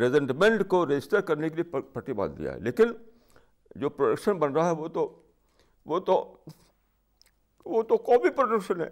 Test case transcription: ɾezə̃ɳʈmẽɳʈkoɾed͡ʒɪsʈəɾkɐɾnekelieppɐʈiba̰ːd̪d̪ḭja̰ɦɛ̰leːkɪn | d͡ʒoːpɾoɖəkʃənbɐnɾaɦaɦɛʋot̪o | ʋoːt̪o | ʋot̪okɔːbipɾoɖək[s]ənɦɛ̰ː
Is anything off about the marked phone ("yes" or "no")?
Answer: yes